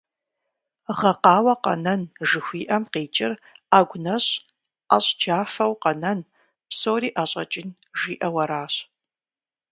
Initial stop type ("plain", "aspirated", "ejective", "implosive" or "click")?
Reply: plain